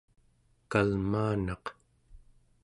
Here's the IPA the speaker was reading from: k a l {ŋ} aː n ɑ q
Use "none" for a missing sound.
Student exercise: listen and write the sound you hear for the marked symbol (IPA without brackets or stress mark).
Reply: m